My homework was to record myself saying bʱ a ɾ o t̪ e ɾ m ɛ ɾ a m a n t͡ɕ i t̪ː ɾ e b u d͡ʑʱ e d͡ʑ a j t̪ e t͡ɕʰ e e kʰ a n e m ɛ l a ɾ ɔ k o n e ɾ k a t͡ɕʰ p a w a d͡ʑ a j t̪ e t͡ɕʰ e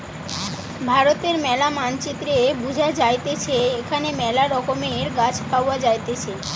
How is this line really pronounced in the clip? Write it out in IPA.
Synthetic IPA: bʱ a ɾ o t̪ e ɾ m ɛ l a m a n t͡ɕ i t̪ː ɾ e b u d͡ʑʱ a d͡ʑ a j t̪ e t͡ɕʰ e e kʰ a n e m ɛ l a ɾ ɔ k o m e ɾ ɡ a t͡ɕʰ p a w a d͡ʑ a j t̪ e t͡ɕʰ e

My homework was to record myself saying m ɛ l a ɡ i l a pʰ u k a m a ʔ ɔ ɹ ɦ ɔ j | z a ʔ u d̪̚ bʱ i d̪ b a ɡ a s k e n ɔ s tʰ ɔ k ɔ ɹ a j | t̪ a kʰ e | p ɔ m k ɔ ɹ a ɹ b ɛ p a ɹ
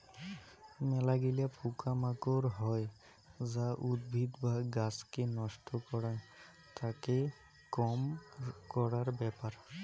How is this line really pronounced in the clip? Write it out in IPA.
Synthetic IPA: m ɛ l a ɡ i l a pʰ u k a m a k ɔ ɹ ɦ ɔ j | z a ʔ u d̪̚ bʱ i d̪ b a ɡ a s k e n ɔ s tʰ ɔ k ɔ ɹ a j | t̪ a k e | k ɔ m k ɔ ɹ a ɹ b ɛ p a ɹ

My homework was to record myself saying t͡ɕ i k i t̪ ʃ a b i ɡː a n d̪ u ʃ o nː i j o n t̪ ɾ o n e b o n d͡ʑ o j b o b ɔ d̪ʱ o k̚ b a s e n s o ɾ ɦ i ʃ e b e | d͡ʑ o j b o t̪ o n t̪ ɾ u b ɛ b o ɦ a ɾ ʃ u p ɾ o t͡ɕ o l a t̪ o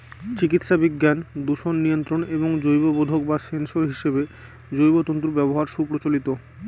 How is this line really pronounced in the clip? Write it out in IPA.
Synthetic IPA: t͡ɕ i k i t̪ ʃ a b i ɡː a n d̪ u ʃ o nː i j o n t̪ ɾ o n e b o ŋ d͡ʑ o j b o b o d̪ʱ o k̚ b a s e n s o ɾ ɦ i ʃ e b e | d͡ʑ o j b o t̪ o n t̪ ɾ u b ɛ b o ɦ a ɾ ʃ u p ɾ o t͡ɕ o l i t̪ o

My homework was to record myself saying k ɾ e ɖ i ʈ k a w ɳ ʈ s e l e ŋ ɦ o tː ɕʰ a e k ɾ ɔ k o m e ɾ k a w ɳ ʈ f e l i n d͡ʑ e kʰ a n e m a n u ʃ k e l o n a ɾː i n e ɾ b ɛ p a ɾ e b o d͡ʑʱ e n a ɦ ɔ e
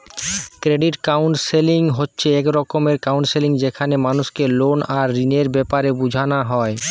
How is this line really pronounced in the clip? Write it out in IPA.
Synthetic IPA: k ɾ e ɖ i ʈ k a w ɳ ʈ s e l i ŋ ɦ o tː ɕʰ e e k ɾ ɔ k o m e ɾ k a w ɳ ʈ s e l i ŋ d͡ʑ e kʰ a n e m a n u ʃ k e l o n a ɾː i n e ɾ b ɛ p a ɾ e b u d͡ʑʱ a n a ɦ ɔ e

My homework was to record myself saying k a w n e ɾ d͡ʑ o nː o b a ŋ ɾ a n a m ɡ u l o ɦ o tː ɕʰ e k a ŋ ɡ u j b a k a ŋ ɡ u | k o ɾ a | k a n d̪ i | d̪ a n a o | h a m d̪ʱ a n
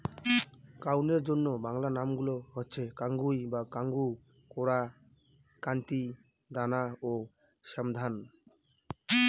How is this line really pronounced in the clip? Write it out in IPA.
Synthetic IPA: k a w n e ɾ d͡ʑ o nː o b a ŋ l a n a m ɡ u l o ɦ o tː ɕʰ e k a ŋ ɡ u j b a k a ŋ ɡ u | k o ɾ a | k a n t̪ i | d̪ a n a o | ʃ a m d̪ʱ a n

